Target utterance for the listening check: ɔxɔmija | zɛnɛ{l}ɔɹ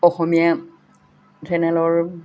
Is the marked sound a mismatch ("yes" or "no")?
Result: no